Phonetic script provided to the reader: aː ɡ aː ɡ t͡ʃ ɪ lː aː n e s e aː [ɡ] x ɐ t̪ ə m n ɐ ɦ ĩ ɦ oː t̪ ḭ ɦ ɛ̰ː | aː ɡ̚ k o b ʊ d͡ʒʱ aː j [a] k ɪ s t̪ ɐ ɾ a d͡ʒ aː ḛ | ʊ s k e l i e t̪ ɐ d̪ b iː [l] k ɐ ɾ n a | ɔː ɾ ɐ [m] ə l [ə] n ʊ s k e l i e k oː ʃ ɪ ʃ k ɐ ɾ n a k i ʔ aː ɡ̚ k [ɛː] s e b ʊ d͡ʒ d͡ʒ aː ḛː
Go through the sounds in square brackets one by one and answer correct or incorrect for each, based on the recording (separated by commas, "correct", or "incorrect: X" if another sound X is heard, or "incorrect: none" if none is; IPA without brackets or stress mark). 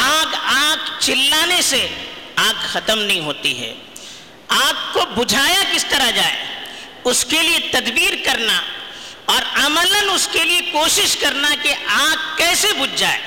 correct, correct, incorrect: ɾ, correct, correct, correct